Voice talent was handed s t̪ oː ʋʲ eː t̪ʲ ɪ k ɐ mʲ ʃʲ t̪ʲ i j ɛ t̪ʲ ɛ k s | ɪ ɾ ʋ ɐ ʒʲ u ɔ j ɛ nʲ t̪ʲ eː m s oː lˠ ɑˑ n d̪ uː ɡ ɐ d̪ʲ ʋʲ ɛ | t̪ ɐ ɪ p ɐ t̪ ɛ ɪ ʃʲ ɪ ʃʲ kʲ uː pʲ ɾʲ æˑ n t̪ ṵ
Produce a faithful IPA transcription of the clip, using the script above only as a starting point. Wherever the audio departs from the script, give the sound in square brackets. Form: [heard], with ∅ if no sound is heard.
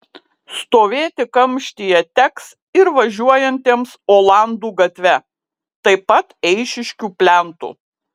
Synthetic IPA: s t̪ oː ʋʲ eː t̪ʲ ɪ k ɐ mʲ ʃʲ t̪ʲ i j ɛ t̪ʲ ɛ k s | ɪ ɾ ʋ ɐ ʒʲ u ɔ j ɛ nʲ t̪ʲ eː m s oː lˠ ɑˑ n d̪ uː ɡ ɐ [t̪ʲ] ʋʲ ɛ | t̪ ɐ ɪ p ɐ t̪ ɛ ɪ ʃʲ ɪ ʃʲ kʲ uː pʲ [lʲ] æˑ n t̪ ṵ